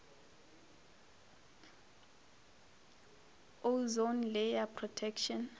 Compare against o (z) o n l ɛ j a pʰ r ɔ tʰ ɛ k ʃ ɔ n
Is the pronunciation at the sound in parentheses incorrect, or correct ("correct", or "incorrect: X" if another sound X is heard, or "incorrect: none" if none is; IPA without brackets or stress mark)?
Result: correct